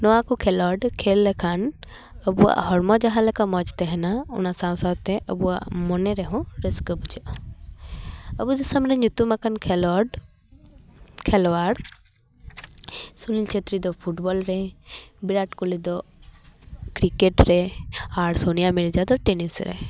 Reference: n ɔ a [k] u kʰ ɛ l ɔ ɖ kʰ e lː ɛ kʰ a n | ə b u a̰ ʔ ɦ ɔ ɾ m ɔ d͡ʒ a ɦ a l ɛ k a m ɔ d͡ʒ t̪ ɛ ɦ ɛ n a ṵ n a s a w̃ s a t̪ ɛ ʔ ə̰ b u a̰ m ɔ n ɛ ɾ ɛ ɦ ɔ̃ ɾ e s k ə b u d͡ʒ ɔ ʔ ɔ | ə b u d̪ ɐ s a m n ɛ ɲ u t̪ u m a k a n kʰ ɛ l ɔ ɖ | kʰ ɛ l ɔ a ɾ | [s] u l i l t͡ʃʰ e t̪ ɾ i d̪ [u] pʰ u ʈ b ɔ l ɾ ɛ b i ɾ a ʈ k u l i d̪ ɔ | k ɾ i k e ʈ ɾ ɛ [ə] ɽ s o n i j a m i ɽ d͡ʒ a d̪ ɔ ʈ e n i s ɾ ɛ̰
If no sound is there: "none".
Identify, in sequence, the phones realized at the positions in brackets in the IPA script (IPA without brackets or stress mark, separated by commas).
k, s, ɔ, a